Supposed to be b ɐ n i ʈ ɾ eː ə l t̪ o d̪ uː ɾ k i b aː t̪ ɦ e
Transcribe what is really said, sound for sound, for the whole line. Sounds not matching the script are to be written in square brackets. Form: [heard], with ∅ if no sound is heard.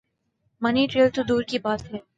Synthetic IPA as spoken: [m] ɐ n i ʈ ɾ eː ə l t̪ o d̪ uː ɾ k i b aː t̪ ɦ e